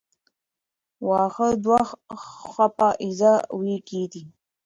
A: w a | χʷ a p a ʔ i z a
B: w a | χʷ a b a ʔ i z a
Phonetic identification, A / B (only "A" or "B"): A